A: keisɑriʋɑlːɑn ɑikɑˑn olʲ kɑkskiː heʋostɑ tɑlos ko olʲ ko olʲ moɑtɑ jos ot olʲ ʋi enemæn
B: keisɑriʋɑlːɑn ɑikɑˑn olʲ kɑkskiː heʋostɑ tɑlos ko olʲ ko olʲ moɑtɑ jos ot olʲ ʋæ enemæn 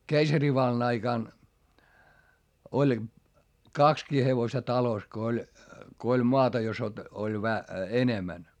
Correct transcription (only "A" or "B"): B